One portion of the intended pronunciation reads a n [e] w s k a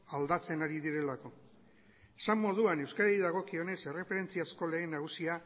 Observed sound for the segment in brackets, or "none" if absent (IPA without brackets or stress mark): e